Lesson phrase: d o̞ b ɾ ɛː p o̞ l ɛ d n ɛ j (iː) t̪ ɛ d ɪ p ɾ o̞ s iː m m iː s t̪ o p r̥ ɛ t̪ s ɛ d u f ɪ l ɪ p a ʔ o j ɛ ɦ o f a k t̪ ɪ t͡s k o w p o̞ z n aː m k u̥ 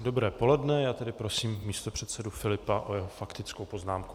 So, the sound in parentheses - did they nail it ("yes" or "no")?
no